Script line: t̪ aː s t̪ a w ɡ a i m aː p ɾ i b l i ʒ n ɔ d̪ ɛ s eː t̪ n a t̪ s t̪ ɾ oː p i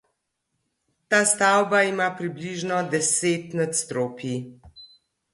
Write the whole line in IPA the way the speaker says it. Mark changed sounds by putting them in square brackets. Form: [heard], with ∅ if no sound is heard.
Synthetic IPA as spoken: t̪ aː s t̪ a w [b] a i m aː p ɾ i b l i ʒ n ɔ d̪ ɛ s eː t̪ n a t̪ s t̪ ɾ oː p i